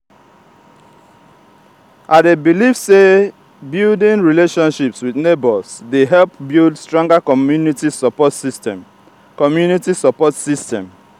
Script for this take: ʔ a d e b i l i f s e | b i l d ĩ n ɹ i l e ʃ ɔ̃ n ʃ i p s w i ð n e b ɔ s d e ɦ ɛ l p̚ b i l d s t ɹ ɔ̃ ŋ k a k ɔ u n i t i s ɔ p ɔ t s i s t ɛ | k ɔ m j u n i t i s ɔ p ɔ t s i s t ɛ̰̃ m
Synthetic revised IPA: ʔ a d e b i l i f s e | b i l d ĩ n ɹ i l e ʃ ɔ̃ n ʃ i p s w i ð n e b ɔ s d e ɦ ɛ l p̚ b i l d s t ɹ ɔ̃ ŋ ɡ a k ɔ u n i t i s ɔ p ɔ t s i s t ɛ | k ɔ m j u n i t i s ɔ p ɔ t s i s t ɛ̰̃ m